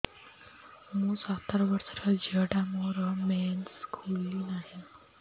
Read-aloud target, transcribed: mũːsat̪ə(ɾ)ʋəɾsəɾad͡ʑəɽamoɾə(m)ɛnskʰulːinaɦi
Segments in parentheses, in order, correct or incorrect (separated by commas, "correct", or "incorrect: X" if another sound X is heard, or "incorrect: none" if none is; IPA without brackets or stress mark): correct, correct